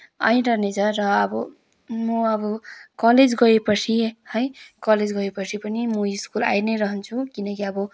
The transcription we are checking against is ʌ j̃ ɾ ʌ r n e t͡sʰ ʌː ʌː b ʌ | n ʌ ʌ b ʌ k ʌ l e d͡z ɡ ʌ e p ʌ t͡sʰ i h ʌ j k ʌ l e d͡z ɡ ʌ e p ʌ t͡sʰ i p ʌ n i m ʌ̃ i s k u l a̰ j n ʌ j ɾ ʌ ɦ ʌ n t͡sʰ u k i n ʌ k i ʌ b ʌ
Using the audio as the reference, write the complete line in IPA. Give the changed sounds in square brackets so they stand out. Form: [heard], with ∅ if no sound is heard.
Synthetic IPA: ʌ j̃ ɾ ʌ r n e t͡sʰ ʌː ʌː b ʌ | [m] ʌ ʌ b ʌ k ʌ l e d͡z ɡ ʌ e p ʌ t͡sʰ i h ʌ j k ʌ l e d͡z ɡ ʌ e p ʌ t͡sʰ i p ʌ n i m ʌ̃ i s k u l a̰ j n ʌ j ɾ ʌ ɦ ʌ n t͡sʰ u k i n ʌ k i ʌ b ʌ